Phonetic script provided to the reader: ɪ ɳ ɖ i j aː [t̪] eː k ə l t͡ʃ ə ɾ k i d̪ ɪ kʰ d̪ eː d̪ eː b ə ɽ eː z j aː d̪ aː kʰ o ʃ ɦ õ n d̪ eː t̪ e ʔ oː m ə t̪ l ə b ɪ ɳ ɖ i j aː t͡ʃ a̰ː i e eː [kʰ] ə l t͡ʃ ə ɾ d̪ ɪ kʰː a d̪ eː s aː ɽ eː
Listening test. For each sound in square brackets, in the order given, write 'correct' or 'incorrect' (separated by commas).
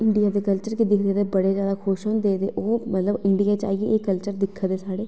incorrect, incorrect